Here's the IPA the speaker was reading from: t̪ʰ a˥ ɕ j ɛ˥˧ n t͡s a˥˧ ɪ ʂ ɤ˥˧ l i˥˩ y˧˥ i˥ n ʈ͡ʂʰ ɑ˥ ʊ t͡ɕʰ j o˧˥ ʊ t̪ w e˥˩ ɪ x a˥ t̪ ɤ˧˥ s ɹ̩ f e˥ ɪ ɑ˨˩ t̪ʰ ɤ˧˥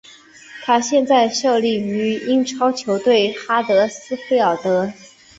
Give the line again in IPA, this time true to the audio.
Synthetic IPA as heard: t̪ʰ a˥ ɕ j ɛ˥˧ n t͡s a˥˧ ɪ ʂ ɤ˥˧ l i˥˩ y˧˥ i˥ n ʈ͡ʂʰ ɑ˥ ʊ t͡ɕʰ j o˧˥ ʊ t̪ w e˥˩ ɪ x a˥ t̪ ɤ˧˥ s ɹ̩ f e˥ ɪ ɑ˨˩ t̪ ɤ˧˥